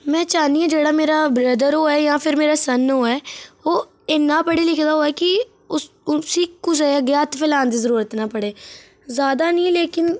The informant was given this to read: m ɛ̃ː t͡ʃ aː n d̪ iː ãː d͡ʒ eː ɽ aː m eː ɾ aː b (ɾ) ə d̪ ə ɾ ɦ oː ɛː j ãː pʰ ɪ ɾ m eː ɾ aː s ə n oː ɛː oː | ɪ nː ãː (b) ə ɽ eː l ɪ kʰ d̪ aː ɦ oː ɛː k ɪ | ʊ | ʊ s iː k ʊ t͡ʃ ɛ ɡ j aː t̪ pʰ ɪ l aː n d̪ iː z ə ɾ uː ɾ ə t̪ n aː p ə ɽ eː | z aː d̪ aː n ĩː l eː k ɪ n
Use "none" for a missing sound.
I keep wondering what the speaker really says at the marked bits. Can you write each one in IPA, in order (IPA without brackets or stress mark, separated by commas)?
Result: ɾ, p